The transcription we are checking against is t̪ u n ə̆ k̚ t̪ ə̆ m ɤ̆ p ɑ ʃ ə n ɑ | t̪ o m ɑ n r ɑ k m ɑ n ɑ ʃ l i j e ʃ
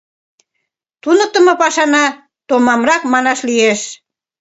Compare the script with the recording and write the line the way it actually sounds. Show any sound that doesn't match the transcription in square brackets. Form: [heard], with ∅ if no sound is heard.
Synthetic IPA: t̪ u n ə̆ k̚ t̪ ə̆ m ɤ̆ p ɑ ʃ [ɑ] n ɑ | t̪ o m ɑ [m] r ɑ k m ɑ n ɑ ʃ l i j e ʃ